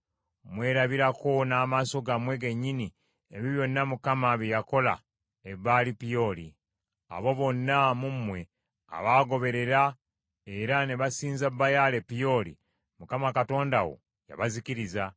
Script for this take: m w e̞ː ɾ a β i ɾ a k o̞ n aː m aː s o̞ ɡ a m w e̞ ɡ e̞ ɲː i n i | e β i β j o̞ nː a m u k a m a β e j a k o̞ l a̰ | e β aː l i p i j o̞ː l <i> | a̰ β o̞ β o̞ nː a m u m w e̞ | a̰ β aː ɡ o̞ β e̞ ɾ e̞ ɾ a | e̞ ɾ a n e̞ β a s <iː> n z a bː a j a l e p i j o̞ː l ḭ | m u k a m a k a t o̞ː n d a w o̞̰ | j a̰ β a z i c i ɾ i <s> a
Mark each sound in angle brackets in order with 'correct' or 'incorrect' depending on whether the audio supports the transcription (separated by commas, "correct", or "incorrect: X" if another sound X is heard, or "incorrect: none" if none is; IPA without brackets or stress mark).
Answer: correct, correct, incorrect: z